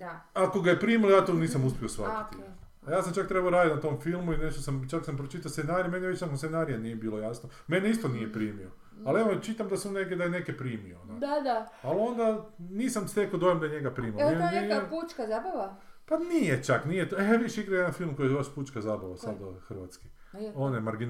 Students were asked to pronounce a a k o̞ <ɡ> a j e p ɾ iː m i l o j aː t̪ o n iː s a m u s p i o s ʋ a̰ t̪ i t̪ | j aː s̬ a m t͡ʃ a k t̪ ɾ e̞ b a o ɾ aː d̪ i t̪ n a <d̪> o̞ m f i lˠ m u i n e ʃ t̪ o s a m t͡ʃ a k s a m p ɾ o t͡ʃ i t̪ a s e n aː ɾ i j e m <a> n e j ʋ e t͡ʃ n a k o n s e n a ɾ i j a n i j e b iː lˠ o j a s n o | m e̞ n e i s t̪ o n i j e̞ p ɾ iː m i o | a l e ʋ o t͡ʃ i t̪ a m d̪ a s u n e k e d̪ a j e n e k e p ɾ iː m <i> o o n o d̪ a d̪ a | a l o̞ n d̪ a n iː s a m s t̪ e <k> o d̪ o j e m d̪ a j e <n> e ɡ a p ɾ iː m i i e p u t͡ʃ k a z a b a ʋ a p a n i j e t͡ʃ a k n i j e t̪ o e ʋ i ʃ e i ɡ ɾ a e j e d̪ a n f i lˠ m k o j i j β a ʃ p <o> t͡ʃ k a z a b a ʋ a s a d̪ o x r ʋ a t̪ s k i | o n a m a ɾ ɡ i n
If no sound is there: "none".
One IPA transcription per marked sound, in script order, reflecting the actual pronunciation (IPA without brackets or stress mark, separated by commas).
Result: ɡ, t̪, e, i, k, ɲ, u